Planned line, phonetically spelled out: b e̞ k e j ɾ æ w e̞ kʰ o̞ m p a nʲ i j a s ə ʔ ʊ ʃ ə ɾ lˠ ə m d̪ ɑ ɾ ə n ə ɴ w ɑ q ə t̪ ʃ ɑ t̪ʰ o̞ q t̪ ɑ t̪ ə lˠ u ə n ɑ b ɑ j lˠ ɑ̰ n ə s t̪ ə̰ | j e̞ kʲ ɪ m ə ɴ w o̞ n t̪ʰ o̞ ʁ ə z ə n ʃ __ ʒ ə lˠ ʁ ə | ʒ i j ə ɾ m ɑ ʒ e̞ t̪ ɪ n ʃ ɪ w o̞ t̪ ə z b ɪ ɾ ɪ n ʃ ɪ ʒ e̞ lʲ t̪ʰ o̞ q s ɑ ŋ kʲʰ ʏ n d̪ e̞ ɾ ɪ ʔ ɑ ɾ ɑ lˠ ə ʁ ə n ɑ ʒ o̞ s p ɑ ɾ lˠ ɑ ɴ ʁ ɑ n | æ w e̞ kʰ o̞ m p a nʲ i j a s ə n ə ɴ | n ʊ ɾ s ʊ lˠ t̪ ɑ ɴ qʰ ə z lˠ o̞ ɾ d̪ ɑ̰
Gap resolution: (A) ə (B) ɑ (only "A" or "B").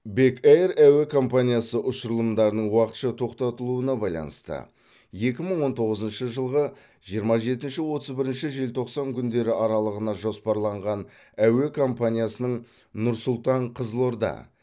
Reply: A